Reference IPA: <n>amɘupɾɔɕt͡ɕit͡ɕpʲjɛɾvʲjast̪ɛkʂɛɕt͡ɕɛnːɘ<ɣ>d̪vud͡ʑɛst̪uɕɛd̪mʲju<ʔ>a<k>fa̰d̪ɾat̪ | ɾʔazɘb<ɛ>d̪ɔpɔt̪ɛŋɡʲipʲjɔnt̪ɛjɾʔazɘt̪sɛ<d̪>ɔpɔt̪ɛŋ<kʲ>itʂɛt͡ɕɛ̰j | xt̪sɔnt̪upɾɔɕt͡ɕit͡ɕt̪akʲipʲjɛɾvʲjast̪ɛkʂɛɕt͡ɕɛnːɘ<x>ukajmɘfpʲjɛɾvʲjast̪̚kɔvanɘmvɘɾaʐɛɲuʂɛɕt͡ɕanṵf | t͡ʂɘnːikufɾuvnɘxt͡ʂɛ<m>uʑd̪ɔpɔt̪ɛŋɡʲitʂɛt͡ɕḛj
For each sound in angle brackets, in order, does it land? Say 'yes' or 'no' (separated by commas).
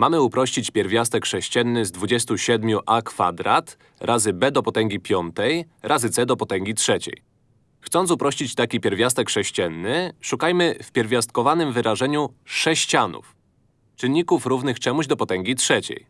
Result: no, no, yes, yes, yes, yes, no, no, yes